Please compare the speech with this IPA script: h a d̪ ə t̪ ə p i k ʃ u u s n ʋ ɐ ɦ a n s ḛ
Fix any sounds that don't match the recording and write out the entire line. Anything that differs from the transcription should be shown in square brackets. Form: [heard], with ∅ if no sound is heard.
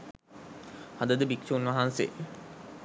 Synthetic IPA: h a d̪ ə [d̪] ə [b] i k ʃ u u [∅] n ʋ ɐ ɦ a n s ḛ